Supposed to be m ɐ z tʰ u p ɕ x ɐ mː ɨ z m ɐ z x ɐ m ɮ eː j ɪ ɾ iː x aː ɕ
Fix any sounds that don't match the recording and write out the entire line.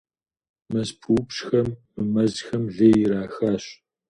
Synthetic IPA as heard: m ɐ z pʰ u p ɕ x ɐ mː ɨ m ɐ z x ɐ m ɮ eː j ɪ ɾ aː x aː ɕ